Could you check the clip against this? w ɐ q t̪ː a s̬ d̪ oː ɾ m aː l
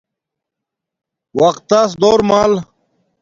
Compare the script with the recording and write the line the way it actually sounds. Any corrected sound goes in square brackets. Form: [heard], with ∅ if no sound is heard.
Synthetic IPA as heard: w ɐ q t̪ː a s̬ d̪ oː ɾ m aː l

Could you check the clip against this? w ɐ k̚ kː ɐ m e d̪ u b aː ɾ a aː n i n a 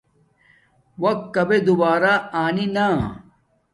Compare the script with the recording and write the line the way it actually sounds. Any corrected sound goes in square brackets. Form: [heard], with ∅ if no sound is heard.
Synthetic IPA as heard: w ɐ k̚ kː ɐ [b] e d̪ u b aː ɾ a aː n i n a

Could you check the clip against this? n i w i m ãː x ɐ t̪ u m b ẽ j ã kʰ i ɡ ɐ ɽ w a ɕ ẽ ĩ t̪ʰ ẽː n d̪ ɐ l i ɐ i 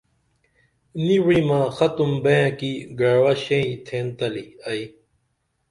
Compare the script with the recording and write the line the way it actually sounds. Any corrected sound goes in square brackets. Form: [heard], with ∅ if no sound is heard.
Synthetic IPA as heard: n i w i m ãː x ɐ t̪ u m b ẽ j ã [k] i ɡ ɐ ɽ w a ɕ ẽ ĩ t̪ʰ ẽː n [t̪] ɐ l i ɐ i

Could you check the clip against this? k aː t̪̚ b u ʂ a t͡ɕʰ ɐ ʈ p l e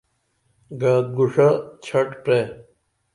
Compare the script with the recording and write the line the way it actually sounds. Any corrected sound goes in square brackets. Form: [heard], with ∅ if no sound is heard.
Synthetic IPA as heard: [ɡ] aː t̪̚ [ɡ] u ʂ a t͡ɕʰ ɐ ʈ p [ɾ] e

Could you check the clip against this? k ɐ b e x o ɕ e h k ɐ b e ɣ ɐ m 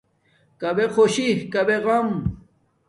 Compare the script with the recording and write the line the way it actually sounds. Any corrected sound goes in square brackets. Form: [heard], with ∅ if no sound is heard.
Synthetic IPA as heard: k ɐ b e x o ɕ [i] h k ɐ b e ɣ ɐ m

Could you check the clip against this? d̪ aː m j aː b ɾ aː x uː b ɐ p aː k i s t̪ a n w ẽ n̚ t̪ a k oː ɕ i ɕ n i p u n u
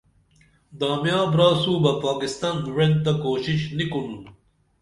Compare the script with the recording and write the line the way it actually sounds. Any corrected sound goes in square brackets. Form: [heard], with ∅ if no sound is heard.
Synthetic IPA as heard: d̪ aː m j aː b ɾ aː [s] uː b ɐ p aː k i s t̪ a n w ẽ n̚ t̪ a k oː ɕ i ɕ n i [k] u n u

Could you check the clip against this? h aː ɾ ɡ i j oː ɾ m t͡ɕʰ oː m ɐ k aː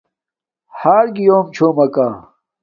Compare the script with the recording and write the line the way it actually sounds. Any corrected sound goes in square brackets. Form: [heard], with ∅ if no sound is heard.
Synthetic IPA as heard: h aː ɾ ɡ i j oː [∅] m t͡ɕʰ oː m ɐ k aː

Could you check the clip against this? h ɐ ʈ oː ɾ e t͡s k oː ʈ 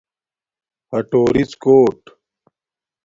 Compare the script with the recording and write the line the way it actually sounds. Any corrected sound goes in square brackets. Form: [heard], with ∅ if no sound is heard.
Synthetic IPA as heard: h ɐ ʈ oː ɾ [i] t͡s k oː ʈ

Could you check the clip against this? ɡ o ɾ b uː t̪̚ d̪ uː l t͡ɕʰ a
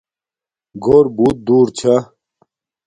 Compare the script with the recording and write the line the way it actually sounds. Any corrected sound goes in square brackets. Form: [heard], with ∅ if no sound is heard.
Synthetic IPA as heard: ɡ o ɾ b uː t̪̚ d̪ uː [ɾ] t͡ɕʰ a

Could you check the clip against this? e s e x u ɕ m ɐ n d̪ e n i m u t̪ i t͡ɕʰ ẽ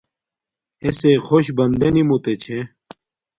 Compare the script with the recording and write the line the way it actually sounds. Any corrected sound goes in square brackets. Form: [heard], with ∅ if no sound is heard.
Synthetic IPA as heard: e s e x [o] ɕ [b] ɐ n d̪ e n i m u t̪ [e] t͡ɕʰ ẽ

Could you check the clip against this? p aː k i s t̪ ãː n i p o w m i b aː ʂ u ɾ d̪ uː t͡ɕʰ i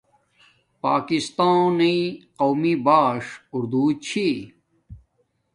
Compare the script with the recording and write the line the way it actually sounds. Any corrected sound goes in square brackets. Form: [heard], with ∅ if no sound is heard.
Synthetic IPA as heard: p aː k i s t̪ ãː n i [q] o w m i b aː ʂ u ɾ d̪ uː t͡ɕʰ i

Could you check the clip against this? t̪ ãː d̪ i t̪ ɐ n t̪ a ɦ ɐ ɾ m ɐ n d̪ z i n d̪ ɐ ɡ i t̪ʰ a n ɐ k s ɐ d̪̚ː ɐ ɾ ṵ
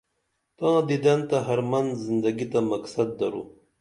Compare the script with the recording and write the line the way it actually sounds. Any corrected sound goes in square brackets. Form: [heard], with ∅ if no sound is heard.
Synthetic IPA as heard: t̪ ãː d̪ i [d̪] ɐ n t̪ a ɦ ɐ ɾ m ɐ n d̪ z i n d̪ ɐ ɡ i [t̪] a [m] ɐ k s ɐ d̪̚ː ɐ ɾ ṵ

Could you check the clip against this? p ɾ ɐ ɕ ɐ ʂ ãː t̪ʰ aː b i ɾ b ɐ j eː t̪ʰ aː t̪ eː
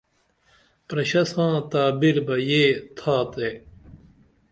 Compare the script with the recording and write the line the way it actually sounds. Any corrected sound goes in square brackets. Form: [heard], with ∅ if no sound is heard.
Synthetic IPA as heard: p ɾ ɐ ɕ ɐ [s] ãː [t̪] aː b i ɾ b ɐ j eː t̪ʰ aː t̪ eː

